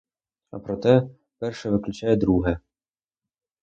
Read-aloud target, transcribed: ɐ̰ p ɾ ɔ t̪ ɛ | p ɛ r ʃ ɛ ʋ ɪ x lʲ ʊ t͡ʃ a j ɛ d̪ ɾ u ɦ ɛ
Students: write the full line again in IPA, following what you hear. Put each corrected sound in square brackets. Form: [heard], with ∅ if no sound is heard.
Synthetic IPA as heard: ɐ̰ p ɾ ɔ t̪ ɛ | p ɛ r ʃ ɛ ʋ ɪ [k] lʲ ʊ t͡ʃ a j ɛ d̪ ɾ u ɦ ɛ